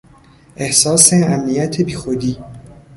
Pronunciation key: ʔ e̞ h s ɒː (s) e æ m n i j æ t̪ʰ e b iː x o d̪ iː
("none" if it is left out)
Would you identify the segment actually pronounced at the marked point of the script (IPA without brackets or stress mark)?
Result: s